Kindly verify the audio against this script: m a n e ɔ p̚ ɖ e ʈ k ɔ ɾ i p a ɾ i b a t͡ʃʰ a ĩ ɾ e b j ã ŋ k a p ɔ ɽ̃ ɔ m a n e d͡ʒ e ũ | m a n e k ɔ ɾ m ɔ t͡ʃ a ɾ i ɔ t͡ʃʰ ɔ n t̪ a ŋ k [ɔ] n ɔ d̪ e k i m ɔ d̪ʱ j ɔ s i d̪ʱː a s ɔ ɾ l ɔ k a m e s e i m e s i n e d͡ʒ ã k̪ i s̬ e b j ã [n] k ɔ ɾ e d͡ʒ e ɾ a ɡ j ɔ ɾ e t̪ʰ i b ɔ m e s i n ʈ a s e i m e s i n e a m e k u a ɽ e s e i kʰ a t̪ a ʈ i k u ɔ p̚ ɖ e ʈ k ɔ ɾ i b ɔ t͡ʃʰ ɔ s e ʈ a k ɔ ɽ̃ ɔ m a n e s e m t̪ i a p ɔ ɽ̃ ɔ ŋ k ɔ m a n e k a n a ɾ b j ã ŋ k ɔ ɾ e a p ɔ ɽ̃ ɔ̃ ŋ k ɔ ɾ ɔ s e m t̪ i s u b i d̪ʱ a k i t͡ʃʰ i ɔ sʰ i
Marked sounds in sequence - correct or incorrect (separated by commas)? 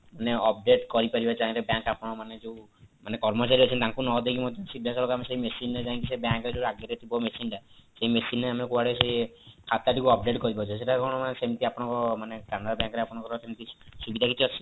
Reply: incorrect, incorrect